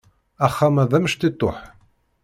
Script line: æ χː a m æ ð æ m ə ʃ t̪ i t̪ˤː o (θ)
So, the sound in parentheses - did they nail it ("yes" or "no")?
no